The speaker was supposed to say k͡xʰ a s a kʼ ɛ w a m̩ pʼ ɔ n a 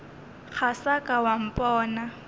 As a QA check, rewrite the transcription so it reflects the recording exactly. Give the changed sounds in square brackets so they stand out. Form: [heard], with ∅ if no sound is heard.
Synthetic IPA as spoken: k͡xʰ a s a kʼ [a] w a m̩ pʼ [ɔː] n a